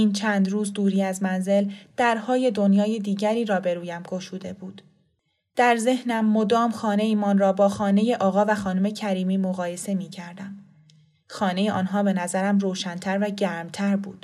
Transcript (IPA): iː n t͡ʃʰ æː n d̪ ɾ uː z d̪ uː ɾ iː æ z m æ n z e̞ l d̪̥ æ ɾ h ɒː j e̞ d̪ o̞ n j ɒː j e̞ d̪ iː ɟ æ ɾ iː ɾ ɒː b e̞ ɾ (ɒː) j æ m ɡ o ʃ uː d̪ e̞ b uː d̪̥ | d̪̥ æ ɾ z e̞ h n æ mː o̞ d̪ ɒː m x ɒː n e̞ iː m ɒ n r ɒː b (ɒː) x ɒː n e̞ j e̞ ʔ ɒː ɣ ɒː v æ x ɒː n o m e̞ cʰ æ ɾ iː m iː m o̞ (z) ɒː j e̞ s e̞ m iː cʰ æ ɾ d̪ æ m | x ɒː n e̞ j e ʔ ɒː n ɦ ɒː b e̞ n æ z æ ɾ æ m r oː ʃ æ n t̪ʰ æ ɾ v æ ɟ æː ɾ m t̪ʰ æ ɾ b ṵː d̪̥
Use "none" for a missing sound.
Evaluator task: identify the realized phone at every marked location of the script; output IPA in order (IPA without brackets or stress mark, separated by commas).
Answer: uː, ɒː, ɣ